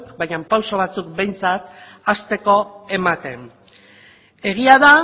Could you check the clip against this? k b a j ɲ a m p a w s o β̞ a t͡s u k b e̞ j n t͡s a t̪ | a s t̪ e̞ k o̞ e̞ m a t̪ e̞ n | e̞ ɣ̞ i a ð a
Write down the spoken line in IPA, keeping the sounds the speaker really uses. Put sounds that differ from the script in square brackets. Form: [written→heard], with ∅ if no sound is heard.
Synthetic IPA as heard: k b a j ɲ a m p a w s o β̞ a t͡s u k b e̞ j n t͡s a t̪ | a s t̪ e̞ k o̞ e̞ m a t̪ e̞ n | e̞ ɣ̞ i a ð a

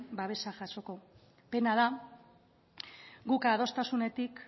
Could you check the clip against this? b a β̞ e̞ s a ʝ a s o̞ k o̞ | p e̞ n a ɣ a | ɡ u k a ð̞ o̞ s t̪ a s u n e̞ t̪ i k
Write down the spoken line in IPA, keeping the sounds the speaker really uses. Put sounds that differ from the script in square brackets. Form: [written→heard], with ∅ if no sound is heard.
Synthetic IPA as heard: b a β̞ e̞ s a ʝ a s o̞ k o̞ | p e̞ n a [ɣ→ð] a | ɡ u k a ð̞ o̞ s t̪ a s u n e̞ t̪ i k

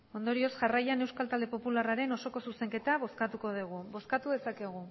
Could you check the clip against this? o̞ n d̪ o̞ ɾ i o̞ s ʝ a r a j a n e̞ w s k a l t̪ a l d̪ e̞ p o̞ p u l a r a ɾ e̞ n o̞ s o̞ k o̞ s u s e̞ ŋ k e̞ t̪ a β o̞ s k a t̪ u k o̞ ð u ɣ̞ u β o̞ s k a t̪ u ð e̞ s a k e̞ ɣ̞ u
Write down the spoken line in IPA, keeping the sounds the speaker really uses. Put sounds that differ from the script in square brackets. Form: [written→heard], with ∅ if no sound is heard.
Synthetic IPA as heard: o̞ n d̪ o̞ ɾ i o̞ s ʝ a r a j a n e̞ w s k a l t̪ a l d̪ e̞ p o̞ p u l a r a ɾ e̞ n o̞ s o̞ k o̞ s u s e̞ ŋ k e̞ t̪ a β o̞ s k a t̪ u k o̞ ð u ɣ̞ u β o̞ s k a t̪ u ð e̞ s a k e̞ ɣ̞ u

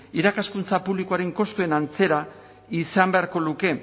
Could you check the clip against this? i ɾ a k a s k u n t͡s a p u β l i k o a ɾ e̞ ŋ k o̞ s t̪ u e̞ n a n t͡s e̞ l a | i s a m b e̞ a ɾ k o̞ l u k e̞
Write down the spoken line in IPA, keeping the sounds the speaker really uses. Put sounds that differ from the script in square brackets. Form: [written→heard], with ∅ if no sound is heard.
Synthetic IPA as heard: i ɾ a k a s k u n t͡s a p u β l i k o a ɾ e̞ ŋ k o̞ s t̪ u e̞ n a n t͡s e̞ [l→ɾ] a | i s a m b e̞ a ɾ k o̞ l u k e̞

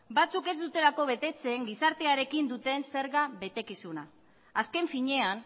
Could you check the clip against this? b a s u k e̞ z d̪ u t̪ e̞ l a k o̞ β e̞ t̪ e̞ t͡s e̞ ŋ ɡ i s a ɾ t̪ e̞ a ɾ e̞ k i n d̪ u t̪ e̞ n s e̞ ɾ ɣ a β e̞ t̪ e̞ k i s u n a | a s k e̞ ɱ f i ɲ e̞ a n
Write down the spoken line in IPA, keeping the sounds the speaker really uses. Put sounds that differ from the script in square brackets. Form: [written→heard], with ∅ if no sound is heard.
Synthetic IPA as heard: b a [s→t͡s] u k e̞ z d̪ u t̪ e̞ l a k o̞ β e̞ t̪ e̞ t͡s e̞ ŋ ɡ i s a ɾ t̪ e̞ a ɾ e̞ k i n d̪ u t̪ e̞ n s e̞ ɾ ɣ a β e̞ t̪ e̞ k i s u n a | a s k e̞ ɱ f i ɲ e̞ a n

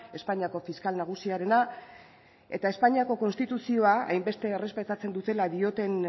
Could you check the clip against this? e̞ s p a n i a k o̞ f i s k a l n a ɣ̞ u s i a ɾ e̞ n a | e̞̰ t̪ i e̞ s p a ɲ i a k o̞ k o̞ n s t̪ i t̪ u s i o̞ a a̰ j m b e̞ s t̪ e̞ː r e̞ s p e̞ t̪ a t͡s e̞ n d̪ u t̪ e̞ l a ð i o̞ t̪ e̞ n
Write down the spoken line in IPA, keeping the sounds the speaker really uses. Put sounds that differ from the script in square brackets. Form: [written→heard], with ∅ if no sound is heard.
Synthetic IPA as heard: e̞ s p a [n→ɲ] i a k o̞ f i s k a l n a ɣ̞ u s i a ɾ e̞ n a | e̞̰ t̪ [i→a] e̞ s p a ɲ i a k o̞ k o̞ n s t̪ i t̪ u s i o̞ a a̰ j m b e̞ s t̪ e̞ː r e̞ s p e̞ t̪ a t͡s e̞ n d̪ u t̪ e̞ l a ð i o̞ t̪ e̞ n

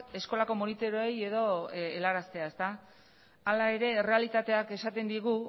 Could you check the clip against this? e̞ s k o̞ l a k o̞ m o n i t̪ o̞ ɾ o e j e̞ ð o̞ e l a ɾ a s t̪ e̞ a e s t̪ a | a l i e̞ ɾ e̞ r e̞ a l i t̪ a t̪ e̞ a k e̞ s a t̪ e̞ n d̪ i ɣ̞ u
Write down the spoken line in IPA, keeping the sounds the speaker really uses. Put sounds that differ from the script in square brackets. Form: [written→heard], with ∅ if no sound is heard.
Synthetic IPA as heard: e̞ s k o̞ l a k o̞ m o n i t̪ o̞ ɾ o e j e̞ ð o̞ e l a ɾ a s t̪ e̞ a e s t̪ a | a l [i→a] e̞ ɾ e̞ r e̞ a l i t̪ a t̪ e̞ a k e̞ s a t̪ e̞ n d̪ i ɣ̞ u

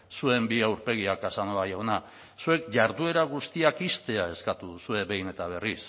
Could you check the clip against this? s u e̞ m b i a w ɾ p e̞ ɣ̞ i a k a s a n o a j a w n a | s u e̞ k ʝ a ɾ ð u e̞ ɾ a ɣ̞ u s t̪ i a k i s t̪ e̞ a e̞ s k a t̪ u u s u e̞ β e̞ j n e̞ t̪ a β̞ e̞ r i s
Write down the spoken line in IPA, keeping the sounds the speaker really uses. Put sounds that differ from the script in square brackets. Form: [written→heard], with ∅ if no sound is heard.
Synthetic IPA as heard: s u e̞ m b i a w ɾ p e̞ ɣ̞ i a k a s a n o a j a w n a | s u e̞ k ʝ a ɾ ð u e̞ ɾ a ɣ̞ u s t̪ i a k i s t̪ e̞ a e̞ s k a t̪ u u s u e̞ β e̞ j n e̞ t̪ a β̞ e̞ r i s

